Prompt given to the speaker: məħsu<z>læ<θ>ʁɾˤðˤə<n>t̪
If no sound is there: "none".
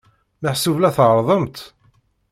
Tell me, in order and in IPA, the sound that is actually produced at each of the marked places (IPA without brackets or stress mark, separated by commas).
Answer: v, θ, m